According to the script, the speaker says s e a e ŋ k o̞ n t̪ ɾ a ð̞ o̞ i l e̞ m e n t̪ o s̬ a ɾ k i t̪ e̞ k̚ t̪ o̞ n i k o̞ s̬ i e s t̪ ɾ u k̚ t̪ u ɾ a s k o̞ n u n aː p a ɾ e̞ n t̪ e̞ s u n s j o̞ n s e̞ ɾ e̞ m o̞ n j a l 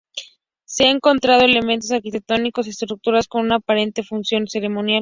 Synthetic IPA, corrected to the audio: s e a e ŋ k o̞ n t̪ ɾ a ð̞ o̞ e l e̞ m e n t̪ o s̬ a ɾ k i t̪ e̞ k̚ t̪ o̞ n i k o̞ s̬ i e s t̪ ɾ u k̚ t̪ u ɾ a s k o̞ n u n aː p a ɾ e̞ n t̪ e̞ f u n s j o̞ n s e̞ ɾ e̞ m o̞ n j a l